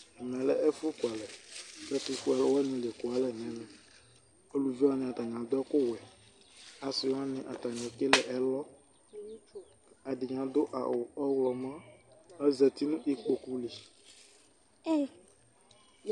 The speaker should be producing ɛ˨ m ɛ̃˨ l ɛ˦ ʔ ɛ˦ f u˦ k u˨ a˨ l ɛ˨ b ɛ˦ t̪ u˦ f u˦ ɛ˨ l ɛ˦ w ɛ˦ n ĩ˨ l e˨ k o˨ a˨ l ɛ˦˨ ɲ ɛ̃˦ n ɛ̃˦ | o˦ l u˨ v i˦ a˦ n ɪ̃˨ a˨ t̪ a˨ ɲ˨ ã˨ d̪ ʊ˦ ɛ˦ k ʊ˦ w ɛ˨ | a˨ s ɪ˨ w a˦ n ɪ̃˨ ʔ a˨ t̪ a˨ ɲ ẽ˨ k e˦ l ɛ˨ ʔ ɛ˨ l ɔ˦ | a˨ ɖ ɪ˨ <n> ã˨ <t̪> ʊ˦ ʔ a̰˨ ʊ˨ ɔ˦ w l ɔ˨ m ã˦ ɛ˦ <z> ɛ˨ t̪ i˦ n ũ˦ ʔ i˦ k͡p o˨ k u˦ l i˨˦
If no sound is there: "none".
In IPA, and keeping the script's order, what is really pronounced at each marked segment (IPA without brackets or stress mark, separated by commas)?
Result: ɲ, d̪, z